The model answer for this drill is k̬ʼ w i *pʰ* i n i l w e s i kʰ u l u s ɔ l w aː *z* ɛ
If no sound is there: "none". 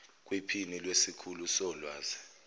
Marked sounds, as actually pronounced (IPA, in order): pʰ, z

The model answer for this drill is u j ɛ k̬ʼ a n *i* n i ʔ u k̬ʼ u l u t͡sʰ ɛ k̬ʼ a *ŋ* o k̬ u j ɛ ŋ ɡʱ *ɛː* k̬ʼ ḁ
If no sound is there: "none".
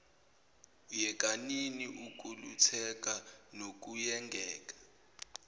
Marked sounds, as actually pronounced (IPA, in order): i, n, ɛː

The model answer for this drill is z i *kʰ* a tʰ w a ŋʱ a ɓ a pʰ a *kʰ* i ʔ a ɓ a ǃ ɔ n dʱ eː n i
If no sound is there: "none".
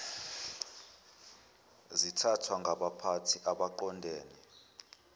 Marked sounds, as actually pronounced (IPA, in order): tʰ, tʰ

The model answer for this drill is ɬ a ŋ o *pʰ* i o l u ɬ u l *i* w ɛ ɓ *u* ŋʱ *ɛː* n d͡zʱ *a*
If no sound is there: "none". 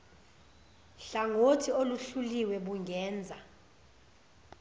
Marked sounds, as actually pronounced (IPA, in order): tʰ, i, u, ɛː, a

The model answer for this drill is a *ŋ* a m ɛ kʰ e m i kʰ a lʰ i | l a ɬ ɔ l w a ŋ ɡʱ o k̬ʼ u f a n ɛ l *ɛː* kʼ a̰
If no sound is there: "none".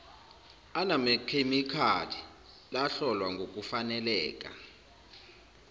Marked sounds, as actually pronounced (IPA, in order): n, ɛː

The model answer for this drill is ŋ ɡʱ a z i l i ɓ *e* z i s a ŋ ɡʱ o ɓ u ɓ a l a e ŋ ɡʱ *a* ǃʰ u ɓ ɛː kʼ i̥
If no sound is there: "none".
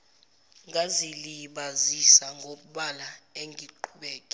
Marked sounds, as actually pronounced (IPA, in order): a, i

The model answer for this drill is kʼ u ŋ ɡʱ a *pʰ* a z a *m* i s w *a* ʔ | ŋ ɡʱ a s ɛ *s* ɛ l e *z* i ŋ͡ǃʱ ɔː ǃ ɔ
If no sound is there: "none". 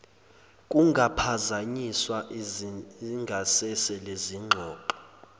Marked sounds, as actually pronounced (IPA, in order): pʰ, ɲ, a, s, z

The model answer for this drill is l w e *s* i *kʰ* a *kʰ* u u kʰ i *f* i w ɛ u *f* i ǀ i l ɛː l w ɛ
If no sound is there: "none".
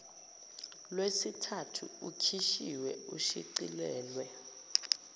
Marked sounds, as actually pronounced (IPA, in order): s, tʰ, tʰ, ʃ, ʃ

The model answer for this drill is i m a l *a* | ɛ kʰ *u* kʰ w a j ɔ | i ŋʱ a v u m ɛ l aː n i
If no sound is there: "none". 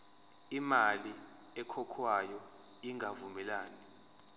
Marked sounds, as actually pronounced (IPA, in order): i, ɔ

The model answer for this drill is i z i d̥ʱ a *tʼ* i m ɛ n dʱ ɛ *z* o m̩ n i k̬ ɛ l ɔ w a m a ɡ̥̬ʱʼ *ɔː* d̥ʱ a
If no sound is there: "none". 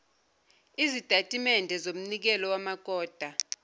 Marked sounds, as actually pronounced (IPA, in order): tʼ, z, ɔː

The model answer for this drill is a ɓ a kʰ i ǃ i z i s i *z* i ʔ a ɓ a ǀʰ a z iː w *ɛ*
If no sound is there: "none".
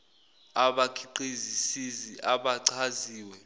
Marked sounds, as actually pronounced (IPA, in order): z, ɛ

